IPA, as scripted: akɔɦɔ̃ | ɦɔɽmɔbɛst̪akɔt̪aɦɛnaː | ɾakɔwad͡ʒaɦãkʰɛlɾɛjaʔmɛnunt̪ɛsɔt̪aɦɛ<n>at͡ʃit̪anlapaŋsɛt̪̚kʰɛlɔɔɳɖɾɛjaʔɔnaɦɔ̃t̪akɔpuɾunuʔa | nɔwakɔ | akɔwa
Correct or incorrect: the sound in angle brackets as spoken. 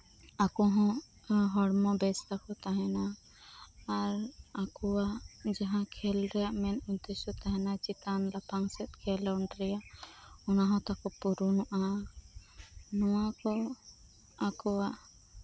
correct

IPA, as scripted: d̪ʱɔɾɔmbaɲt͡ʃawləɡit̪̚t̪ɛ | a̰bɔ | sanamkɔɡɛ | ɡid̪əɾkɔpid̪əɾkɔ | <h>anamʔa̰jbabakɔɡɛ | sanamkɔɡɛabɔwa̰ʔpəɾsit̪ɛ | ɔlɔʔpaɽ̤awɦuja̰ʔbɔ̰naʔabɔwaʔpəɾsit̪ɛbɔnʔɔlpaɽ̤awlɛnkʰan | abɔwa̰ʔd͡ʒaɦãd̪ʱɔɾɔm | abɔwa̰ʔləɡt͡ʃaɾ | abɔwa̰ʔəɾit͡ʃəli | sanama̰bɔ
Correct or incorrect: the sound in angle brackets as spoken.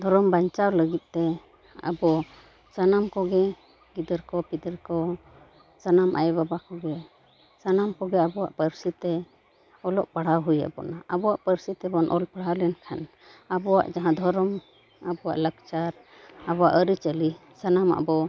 incorrect: s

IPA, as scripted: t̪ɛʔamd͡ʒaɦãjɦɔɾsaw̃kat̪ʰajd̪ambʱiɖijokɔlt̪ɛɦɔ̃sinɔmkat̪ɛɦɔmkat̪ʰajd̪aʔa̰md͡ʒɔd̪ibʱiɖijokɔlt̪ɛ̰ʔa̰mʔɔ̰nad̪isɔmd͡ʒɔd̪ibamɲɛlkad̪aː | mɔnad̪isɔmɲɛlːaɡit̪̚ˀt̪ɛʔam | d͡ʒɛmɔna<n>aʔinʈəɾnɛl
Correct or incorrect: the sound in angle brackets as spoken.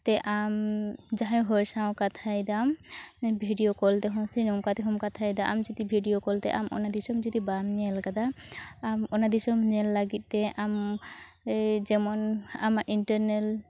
incorrect: m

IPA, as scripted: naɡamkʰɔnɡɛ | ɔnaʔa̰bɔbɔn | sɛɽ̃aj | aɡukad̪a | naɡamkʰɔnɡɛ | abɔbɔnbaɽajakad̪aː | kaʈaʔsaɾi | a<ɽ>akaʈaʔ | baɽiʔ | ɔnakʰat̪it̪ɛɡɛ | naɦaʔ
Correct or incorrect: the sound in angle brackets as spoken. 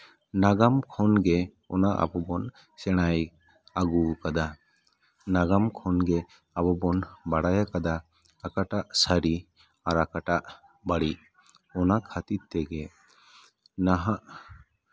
incorrect: ɾ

